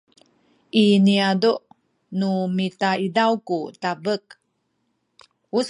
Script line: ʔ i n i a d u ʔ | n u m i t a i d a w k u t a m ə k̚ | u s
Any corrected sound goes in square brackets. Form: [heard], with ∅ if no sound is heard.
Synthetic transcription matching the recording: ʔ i n i a d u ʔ | n u m i t a i d a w k u t a [b] ə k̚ | u s